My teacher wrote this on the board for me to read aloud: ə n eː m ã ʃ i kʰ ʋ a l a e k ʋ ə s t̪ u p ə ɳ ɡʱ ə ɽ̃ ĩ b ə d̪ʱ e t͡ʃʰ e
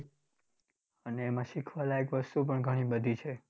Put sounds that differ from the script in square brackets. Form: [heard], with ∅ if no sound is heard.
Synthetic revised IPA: ə n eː m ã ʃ i kʰ ʋ a l a e k ʋ ə s t̪ u p ə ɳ ɡʱ ə ɽ̃ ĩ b ə d̪ʱ [i] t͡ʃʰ e